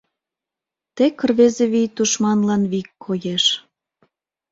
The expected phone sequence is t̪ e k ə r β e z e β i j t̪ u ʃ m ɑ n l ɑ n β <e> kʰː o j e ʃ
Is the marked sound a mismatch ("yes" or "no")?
yes